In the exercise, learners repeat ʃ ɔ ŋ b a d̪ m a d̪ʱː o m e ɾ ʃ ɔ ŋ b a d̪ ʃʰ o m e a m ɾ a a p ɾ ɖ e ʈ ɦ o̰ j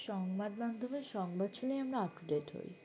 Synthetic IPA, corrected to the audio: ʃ ɔ ŋ b a d̪ m a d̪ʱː o m e ɾ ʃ ɔ ŋ b a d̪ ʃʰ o n e a m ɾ a a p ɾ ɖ e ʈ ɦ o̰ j